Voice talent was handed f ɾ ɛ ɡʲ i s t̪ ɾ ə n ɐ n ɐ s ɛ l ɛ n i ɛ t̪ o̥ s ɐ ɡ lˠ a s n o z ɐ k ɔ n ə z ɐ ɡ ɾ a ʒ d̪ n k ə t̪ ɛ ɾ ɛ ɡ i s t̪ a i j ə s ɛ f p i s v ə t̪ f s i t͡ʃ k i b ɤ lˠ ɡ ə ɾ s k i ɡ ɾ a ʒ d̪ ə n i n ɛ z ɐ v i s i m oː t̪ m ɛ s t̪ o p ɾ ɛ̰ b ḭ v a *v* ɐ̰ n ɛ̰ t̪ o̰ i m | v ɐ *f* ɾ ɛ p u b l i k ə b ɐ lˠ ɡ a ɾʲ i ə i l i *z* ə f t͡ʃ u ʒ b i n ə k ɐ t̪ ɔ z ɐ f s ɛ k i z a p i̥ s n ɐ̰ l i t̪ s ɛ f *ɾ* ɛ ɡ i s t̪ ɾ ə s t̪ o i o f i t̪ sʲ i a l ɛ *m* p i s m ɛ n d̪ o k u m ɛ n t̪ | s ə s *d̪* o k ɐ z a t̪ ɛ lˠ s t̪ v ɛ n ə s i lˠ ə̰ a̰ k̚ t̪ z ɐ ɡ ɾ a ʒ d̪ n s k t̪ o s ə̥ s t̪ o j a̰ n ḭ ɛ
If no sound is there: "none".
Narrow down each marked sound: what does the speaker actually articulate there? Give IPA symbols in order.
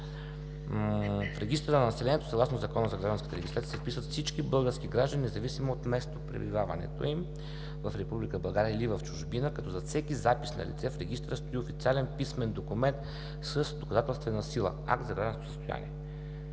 v, f, v, ɾ, n, d̪

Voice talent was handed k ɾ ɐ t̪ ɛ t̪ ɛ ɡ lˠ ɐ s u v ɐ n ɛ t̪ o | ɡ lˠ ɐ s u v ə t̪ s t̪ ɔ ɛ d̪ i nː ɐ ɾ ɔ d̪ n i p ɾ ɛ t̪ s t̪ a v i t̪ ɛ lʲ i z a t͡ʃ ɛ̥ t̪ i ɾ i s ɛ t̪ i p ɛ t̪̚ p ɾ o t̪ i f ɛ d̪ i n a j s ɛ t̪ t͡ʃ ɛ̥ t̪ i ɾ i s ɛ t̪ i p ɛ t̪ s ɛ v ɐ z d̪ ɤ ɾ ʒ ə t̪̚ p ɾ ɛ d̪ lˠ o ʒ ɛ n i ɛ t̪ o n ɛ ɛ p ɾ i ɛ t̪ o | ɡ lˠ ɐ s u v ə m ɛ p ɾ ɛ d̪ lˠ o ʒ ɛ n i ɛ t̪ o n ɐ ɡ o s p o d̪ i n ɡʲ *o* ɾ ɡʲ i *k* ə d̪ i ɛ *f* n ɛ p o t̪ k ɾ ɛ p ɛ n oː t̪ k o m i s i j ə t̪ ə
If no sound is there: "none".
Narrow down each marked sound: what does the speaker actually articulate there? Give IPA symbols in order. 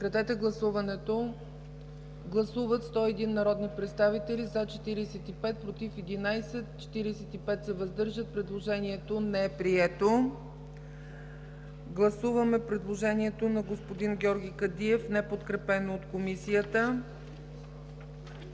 ɔ, k, f

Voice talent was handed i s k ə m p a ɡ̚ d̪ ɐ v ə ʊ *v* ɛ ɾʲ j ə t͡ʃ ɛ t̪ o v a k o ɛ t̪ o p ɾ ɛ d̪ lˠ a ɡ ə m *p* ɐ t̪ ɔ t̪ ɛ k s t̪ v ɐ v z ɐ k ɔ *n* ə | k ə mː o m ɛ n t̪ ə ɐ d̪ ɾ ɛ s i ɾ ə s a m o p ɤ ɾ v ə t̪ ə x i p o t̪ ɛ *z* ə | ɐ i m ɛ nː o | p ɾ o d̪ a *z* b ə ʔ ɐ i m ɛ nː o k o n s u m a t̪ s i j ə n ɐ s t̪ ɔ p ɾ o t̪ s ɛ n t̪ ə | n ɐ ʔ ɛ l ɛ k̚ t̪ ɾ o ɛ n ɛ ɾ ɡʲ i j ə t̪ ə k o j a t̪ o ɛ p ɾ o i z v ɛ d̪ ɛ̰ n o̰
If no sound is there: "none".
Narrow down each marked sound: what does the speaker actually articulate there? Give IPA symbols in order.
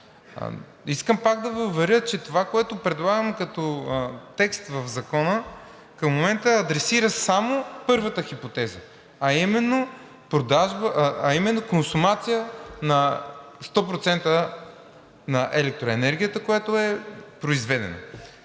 v, k, n, z, ʒ

